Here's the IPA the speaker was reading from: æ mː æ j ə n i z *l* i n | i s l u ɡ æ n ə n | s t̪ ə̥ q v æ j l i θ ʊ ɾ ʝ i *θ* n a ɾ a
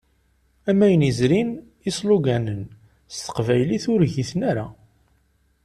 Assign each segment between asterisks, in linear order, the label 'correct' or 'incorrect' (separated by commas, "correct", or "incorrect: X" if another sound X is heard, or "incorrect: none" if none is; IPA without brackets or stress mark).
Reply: incorrect: ɾ, correct